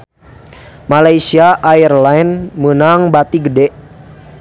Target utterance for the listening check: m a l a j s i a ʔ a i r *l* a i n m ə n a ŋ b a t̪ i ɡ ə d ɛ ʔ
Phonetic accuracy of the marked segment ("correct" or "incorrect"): correct